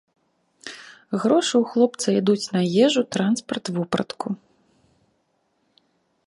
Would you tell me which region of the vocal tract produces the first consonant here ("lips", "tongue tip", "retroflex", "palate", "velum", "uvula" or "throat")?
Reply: velum